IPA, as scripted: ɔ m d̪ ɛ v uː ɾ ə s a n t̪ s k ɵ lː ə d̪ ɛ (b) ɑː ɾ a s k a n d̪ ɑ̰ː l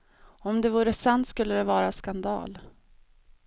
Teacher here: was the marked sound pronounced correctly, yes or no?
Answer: no